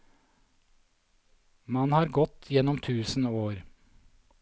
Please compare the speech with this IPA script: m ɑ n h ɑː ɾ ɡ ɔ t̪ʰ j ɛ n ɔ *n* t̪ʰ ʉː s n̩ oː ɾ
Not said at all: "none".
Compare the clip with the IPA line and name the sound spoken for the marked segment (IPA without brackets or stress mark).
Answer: m